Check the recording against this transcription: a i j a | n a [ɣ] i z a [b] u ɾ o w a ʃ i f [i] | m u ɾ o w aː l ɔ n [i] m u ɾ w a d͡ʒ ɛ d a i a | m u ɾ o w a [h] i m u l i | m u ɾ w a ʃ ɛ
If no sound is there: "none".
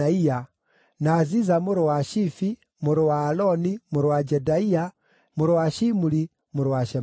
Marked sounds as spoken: z, m, i, i, ʃ

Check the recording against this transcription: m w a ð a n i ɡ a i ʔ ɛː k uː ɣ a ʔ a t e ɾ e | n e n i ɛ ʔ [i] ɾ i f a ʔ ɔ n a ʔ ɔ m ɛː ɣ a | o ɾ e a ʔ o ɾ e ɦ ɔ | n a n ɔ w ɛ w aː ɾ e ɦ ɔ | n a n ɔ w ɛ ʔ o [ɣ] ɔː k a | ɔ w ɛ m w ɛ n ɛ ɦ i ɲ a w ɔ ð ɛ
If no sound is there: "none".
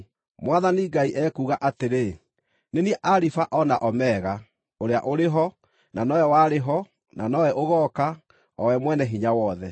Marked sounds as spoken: a, ɣ

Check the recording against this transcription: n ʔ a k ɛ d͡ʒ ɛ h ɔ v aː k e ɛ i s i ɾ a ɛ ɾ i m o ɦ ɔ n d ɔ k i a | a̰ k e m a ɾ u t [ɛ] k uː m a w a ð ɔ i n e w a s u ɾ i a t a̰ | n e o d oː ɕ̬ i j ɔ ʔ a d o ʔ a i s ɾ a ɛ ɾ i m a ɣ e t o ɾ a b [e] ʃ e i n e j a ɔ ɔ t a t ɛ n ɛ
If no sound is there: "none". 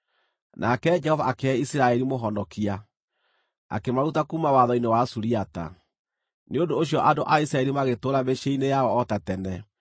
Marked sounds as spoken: a, e

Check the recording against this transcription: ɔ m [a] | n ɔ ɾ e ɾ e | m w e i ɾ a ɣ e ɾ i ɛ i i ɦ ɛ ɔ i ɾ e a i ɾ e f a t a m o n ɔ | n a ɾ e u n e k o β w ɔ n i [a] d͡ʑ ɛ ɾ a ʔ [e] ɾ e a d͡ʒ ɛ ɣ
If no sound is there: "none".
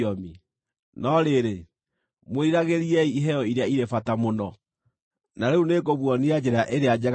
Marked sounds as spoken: i, a, e

